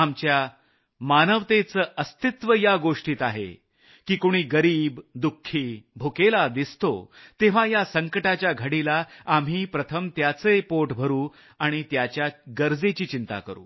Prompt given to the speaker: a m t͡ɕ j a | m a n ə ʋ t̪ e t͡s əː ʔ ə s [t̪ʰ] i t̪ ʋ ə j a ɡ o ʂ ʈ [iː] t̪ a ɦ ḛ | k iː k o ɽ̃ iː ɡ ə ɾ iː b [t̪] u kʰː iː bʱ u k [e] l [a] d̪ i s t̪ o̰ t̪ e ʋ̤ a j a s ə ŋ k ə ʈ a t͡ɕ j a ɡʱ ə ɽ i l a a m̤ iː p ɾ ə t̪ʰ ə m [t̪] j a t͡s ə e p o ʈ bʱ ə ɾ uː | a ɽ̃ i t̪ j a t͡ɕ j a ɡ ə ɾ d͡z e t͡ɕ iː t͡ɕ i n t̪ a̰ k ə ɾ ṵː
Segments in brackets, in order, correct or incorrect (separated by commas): incorrect, correct, incorrect, correct, correct, correct